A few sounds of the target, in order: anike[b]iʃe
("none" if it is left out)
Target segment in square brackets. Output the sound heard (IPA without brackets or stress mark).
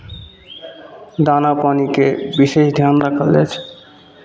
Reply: b